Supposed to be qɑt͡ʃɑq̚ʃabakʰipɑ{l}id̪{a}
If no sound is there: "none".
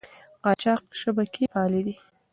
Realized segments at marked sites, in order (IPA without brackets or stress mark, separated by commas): l, i